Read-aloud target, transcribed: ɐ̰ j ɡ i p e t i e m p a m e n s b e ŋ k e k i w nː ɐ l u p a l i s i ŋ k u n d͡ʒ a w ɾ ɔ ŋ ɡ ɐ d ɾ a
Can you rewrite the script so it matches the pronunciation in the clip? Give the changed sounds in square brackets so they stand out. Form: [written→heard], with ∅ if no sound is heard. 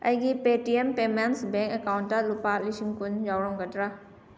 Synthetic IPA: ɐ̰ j ɡ i p e t i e m p [a→e] m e n s b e ŋ k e k [i→a] w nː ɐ l u p a l i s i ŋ k u n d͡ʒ a w ɾ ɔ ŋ ɡ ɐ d ɾ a